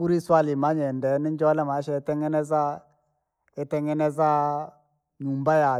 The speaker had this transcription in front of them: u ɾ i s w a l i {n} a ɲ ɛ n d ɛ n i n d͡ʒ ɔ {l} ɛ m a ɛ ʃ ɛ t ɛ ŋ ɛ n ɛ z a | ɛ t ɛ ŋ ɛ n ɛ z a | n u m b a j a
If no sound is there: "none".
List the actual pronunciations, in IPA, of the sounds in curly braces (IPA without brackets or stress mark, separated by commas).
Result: m, l